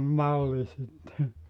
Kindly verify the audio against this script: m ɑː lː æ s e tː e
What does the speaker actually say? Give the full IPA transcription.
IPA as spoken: m ɑ lː i s i tː e